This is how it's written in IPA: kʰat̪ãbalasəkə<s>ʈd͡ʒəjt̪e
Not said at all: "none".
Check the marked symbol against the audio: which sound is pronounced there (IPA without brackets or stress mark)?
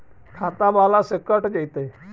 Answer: none